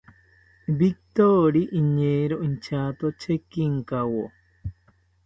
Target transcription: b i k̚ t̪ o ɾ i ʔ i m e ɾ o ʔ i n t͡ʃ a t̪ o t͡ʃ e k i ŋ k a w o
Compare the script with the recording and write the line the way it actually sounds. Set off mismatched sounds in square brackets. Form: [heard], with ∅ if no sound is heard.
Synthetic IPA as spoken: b i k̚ t̪ o ɾ i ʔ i [ɲ] e ɾ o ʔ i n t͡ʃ a t̪ o t͡ʃ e k i ŋ k a w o